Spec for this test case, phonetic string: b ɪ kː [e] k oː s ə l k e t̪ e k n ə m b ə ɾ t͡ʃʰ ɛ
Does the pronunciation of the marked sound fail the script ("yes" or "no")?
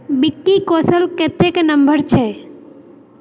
yes